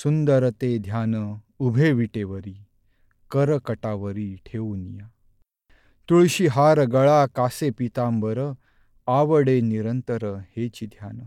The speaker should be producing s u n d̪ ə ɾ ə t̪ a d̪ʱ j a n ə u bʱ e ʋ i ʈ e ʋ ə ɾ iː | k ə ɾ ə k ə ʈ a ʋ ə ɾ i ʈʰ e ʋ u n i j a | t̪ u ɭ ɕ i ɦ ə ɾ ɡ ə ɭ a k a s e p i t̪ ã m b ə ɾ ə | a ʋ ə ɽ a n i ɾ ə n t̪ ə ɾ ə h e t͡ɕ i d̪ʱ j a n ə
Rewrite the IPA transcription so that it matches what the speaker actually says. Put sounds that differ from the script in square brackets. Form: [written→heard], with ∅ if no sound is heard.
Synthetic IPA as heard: s u n d̪ ə ɾ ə t̪ [a→e] d̪ʱ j a n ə u bʱ e ʋ i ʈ e ʋ ə ɾ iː | k ə ɾ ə k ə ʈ a ʋ ə ɾ i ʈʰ e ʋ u n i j a | t̪ u ɭ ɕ i ɦ [ə→a] ɾ ɡ ə ɭ a k a s e p i t̪ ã m b ə ɾ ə | a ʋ ə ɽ [a→e] n i ɾ ə n t̪ ə ɾ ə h e t͡ɕ i d̪ʱ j a n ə